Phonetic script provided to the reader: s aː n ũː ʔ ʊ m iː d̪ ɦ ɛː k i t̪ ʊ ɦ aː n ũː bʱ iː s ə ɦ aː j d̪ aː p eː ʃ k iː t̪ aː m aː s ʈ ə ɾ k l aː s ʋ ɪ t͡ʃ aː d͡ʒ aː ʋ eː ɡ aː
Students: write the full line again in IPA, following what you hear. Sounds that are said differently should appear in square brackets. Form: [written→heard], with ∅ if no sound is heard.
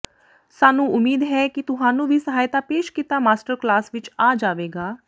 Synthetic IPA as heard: s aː n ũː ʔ ʊ m iː d̪ ɦ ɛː k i t̪ ʊ ɦ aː n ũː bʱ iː s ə ɦ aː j [d̪→t̪] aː p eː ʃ k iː t̪ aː m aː s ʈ ə ɾ k l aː s ʋ ɪ t͡ʃ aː d͡ʒ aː ʋ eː ɡ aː